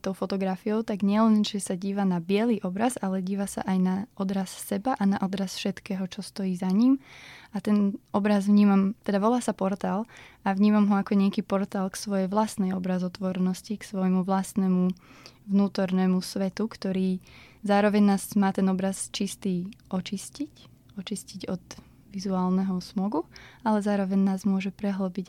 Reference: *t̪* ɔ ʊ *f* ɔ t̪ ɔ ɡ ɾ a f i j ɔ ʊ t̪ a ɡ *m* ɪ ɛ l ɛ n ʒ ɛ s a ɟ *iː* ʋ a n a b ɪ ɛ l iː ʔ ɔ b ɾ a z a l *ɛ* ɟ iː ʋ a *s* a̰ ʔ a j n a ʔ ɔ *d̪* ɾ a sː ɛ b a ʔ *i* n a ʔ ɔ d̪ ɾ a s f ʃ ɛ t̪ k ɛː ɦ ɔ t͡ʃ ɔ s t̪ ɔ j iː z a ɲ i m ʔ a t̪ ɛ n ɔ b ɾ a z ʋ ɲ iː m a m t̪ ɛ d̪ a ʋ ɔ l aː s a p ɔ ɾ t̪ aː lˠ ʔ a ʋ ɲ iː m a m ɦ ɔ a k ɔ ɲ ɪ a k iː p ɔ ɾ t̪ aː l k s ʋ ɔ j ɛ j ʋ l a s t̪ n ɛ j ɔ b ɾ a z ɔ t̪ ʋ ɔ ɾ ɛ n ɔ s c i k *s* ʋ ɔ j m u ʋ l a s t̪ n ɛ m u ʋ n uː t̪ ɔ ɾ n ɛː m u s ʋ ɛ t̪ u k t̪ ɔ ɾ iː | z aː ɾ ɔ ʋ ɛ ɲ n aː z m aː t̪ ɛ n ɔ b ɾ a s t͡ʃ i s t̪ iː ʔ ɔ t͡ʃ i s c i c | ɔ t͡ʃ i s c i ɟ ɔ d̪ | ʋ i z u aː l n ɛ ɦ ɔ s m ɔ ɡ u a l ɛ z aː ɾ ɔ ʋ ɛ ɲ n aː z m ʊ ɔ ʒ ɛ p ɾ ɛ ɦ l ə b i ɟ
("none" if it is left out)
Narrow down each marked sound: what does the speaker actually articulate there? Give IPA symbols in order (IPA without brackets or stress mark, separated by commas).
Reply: t̪, f, ɲ, iː, ɛ, s, d̪, a, s